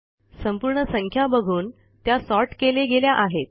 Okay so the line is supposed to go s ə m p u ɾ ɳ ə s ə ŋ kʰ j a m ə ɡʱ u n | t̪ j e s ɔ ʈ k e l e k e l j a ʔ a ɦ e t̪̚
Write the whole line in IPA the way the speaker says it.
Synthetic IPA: s ə m p u ɾ ɳ ə s ə ŋ kʰ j a b ə ɡʱ uː n | t̪ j a s ɔ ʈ k e l e ɡ e l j a ʔ a ɦ e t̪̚